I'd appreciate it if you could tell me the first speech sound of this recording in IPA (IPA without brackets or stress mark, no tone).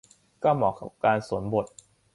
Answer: k